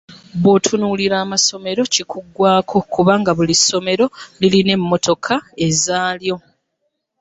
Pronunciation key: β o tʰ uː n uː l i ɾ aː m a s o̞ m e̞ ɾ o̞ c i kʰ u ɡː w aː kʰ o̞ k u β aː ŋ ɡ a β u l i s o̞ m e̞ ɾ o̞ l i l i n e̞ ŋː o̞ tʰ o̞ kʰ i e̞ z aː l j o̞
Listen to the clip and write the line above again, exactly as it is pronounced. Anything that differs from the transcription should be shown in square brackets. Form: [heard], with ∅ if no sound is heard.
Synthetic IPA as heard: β o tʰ [u] n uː l i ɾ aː m a s o̞ m e̞ ɾ o̞ c i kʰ u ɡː w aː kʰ o̞ k u β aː ŋ ɡ a β u l i s o̞ m e̞ ɾ o̞ l i l i n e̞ [mː] o̞ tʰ o̞ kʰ [a] e̞ z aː l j o̞